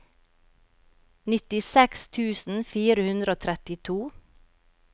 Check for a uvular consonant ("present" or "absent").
absent